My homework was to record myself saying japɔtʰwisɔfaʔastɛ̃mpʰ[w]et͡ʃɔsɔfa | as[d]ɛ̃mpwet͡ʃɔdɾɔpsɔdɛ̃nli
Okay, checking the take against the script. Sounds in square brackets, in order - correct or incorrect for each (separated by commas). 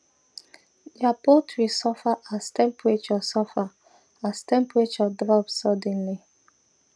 correct, incorrect